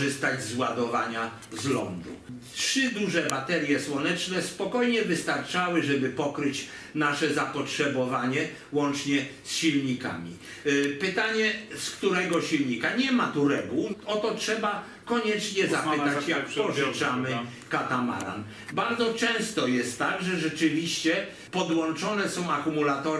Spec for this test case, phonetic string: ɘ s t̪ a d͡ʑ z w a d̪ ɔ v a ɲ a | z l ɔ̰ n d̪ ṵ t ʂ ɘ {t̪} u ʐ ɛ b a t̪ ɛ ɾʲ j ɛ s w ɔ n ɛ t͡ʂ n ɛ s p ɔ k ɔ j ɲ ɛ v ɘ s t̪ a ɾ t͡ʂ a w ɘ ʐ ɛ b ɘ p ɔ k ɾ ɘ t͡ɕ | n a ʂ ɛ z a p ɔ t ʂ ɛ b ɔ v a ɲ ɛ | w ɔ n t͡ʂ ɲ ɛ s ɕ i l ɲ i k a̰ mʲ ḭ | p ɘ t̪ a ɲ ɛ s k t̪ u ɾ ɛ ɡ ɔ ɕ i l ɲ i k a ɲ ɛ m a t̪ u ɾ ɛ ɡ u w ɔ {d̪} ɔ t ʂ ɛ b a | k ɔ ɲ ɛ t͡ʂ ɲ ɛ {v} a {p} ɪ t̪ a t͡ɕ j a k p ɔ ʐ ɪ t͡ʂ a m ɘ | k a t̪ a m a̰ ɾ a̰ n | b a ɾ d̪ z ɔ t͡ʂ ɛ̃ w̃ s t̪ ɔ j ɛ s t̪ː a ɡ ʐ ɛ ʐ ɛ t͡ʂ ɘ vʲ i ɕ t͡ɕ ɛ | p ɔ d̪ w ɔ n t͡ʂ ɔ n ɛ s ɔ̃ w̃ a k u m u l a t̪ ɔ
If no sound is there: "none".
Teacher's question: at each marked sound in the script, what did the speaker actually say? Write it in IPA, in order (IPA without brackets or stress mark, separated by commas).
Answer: d̪, t̪, z, p